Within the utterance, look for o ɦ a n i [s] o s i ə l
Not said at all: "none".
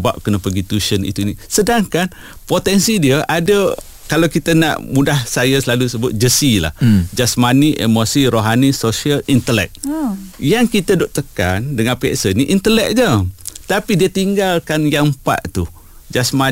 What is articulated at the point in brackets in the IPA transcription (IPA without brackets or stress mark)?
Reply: s